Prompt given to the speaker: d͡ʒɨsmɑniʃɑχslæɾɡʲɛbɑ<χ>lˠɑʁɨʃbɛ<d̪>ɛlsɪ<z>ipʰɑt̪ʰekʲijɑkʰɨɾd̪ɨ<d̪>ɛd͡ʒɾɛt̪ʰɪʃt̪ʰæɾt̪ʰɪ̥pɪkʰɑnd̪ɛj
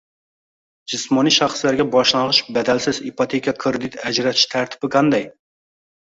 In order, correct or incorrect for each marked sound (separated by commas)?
incorrect, correct, correct, incorrect